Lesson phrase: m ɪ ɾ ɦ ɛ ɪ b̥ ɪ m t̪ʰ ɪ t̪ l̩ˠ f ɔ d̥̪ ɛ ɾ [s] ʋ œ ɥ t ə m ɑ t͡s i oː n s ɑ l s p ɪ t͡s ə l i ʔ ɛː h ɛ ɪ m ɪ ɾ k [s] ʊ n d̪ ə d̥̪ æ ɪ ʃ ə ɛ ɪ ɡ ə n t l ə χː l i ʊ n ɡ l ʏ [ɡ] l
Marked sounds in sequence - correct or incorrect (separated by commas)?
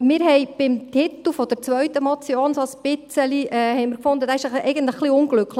incorrect, incorrect, incorrect